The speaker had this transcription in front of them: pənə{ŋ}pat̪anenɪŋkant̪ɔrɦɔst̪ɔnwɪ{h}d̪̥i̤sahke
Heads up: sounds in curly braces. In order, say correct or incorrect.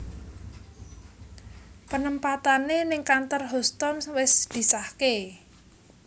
incorrect: m, incorrect: s

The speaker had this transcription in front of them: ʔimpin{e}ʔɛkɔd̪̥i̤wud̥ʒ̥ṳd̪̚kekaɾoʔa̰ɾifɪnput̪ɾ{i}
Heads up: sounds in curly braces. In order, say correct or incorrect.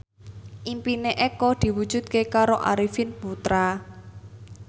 correct, incorrect: a

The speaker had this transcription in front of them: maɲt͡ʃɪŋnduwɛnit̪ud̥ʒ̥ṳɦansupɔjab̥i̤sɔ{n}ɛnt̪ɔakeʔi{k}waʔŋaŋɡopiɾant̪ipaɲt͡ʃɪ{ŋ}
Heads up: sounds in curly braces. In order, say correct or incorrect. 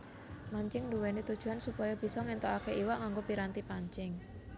incorrect: ŋ, incorrect: none, correct

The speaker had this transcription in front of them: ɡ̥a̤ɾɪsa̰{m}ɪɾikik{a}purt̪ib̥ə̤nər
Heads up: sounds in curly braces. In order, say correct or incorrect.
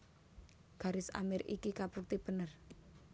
correct, correct

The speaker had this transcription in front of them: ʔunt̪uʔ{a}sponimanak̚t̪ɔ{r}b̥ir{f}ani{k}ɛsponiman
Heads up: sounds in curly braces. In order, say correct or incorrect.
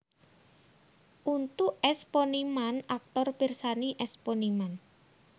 incorrect: ɛ, correct, incorrect: s, incorrect: ʔ

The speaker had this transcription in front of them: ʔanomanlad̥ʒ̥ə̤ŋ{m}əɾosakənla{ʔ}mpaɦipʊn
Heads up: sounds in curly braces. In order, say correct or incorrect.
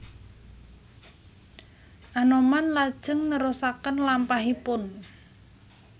incorrect: n, incorrect: none

